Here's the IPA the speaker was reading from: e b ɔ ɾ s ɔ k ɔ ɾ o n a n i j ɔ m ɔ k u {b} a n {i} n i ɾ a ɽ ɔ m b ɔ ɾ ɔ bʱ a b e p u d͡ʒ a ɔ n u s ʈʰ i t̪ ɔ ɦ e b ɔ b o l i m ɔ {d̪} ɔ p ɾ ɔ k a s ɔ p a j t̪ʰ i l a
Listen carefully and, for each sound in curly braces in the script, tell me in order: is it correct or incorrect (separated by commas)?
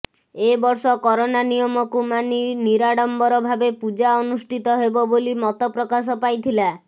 incorrect, correct, incorrect